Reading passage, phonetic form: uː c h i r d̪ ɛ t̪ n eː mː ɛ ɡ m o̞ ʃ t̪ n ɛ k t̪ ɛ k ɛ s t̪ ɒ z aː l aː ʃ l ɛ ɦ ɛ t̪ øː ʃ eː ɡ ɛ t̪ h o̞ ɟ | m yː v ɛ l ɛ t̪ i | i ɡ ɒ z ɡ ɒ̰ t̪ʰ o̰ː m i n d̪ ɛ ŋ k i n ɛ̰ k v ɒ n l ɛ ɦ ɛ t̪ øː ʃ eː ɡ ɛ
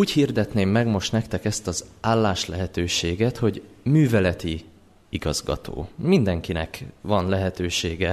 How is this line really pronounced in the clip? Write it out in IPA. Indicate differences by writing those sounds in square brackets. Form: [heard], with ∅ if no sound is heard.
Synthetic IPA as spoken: uː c h i r d̪ ɛ t̪ n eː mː ɛ ɡ m o̞ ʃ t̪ n ɛ k t̪ ɛ k ɛ s t̪ ɒ z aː [lː] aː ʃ l ɛ ɦ ɛ t̪ øː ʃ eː ɡ ɛ t̪ h o̞ ɟ | m yː v ɛ l ɛ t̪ i | i ɡ ɒ z ɡ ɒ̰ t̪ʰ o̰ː m i n d̪ ɛ ŋ k i n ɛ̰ k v ɒ n l ɛ ɦ ɛ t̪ øː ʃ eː ɡ ɛ